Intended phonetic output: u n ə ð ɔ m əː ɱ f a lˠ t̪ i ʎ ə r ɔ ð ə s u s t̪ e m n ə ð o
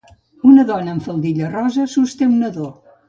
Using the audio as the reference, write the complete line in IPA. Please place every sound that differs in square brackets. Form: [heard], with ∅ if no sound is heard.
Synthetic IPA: u n ə ð ɔ [n] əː ɱ f [ə] lˠ [d̪] i ʎ ə r ɔ [z] ə s u s t̪ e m n ə ð o